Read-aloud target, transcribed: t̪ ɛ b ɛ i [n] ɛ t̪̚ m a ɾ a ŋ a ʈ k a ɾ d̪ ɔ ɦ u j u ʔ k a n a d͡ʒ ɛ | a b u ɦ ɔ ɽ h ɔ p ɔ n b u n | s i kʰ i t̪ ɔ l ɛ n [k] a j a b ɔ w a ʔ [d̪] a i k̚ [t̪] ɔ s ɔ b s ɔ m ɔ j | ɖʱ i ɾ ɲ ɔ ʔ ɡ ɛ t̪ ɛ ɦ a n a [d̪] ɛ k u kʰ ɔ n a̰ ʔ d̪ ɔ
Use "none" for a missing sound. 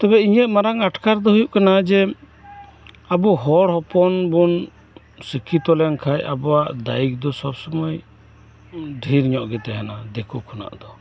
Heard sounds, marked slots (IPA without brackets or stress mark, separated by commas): ɲ, kʰ, d̪, d̪, d̪